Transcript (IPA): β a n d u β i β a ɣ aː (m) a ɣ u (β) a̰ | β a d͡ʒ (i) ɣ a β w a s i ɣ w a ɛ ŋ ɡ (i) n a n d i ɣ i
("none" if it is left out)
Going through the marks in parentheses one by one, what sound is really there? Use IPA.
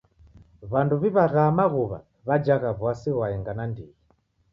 m, β, a, a

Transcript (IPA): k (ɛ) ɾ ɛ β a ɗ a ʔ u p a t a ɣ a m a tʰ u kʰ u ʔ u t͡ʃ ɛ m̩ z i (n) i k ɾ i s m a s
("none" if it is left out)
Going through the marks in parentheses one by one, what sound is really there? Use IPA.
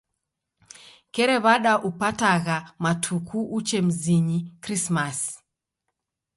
ɛ, ɲ

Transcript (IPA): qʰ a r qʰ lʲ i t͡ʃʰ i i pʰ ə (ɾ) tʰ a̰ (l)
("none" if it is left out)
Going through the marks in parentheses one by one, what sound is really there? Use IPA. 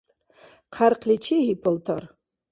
l, r

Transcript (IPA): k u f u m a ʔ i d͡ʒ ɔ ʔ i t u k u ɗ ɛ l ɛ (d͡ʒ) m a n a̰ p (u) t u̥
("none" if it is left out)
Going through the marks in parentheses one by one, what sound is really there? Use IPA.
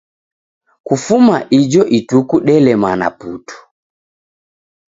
none, u

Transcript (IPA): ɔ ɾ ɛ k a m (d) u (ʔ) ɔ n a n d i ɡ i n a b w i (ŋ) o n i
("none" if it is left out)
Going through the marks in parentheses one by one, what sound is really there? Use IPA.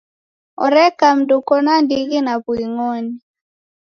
d, k, ŋ

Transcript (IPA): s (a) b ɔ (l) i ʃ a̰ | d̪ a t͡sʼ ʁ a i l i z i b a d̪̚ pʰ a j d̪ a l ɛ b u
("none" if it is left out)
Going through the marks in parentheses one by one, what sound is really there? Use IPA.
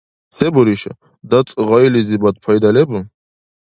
ɛ, ɾ

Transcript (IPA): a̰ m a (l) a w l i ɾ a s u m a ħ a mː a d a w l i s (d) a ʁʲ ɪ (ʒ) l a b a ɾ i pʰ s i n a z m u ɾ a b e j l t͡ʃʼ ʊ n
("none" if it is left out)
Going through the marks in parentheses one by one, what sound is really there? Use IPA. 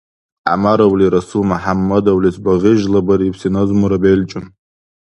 ɾ, b, ʒ

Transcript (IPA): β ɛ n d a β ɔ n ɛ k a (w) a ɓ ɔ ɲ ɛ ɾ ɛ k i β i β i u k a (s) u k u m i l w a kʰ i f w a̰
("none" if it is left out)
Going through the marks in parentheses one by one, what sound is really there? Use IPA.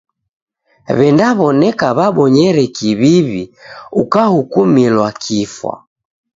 β, h

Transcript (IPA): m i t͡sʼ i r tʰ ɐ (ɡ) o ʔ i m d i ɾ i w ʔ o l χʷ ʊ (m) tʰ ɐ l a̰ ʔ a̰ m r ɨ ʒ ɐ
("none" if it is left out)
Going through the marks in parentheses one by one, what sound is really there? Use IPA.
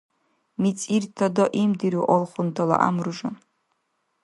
d, n

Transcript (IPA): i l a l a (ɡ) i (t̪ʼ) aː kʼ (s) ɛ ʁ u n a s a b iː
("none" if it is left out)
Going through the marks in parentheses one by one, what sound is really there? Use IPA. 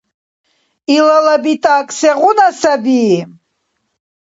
b, t̪ʼ, s

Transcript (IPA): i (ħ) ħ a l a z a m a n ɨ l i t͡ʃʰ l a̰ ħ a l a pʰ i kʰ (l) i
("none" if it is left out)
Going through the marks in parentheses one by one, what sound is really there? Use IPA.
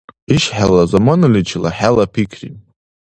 ʃ, r

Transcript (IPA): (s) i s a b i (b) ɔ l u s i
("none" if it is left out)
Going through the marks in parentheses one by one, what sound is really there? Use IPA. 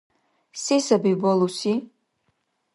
s, b

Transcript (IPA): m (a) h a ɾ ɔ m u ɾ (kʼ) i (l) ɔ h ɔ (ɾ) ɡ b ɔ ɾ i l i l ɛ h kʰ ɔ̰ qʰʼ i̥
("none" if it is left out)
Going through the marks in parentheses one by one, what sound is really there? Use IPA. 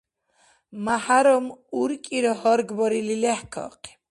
a, kʼ, ɾ, ɾ

